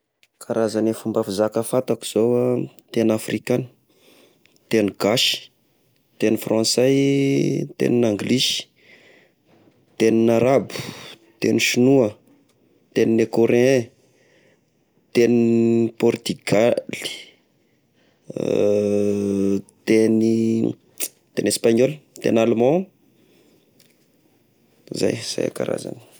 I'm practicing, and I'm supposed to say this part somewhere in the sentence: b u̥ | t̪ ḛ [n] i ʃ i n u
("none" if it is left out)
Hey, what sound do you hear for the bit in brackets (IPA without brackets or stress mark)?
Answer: n